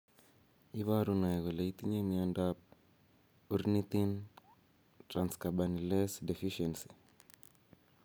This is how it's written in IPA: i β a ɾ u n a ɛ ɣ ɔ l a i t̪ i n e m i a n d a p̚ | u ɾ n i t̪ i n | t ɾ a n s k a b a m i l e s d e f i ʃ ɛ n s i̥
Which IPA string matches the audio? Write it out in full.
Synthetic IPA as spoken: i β a ɾ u n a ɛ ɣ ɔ l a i t̪ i ɲ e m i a n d a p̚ | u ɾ n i t̪ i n | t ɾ a n s k a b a n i l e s d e f i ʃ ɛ n s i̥